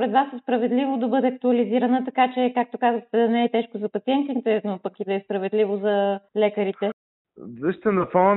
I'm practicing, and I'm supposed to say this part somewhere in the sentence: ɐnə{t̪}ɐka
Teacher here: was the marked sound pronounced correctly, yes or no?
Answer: yes